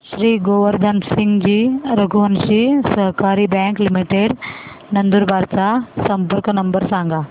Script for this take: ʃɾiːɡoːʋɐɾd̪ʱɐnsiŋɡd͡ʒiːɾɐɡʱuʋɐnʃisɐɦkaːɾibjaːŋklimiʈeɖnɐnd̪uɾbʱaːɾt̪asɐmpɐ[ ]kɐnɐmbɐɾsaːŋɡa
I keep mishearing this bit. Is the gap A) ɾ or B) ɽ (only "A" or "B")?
A